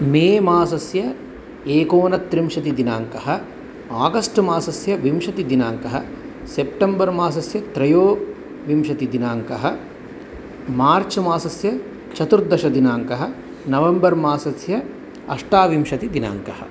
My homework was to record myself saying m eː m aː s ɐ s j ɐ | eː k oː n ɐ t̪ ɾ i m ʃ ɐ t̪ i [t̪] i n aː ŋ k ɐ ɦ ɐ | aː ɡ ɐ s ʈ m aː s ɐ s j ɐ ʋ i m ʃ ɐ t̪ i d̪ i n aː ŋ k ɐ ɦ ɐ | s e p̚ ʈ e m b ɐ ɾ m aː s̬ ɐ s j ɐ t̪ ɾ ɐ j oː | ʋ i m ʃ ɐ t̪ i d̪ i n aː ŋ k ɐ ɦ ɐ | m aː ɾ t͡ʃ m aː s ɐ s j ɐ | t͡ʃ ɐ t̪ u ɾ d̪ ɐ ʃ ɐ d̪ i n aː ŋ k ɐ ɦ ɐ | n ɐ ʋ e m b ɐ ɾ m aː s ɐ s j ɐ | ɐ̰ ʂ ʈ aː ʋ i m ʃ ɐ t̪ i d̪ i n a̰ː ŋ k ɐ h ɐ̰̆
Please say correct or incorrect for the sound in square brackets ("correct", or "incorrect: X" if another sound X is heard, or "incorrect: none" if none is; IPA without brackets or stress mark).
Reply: incorrect: d̪